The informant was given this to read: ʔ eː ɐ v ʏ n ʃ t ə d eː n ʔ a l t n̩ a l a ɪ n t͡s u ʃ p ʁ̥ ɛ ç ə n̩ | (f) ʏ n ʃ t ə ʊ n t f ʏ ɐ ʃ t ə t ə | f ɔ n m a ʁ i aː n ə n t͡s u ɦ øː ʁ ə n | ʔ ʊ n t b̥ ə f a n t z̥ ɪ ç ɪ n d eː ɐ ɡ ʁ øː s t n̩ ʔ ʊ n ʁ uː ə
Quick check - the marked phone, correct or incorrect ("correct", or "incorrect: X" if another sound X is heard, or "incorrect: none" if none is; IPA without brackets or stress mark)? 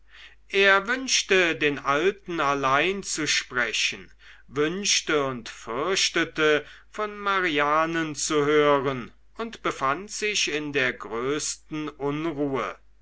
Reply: incorrect: v